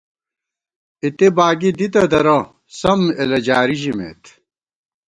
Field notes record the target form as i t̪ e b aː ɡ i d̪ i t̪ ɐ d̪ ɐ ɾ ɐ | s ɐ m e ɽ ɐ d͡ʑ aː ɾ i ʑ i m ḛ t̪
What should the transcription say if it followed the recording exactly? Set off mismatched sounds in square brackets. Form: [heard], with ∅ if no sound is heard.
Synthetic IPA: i t̪ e b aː ɡ i d̪ i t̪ ɐ d̪ ɐ ɾ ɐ | s ɐ m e [l] ɐ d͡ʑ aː ɾ i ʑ i m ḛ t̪